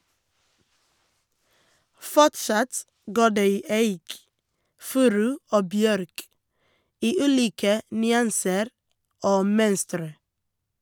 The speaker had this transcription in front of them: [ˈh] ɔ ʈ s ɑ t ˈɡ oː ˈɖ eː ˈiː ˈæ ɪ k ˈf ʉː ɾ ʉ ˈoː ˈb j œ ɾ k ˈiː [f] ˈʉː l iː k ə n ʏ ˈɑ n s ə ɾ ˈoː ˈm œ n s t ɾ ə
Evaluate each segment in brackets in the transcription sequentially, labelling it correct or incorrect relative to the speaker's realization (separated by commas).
incorrect, incorrect